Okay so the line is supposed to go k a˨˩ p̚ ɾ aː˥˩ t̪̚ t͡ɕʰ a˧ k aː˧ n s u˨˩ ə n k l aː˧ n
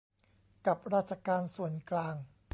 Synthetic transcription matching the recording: k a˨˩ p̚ ɾ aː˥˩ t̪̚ t͡ɕʰ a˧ k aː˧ n s u˨˩ ə n k l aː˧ ŋ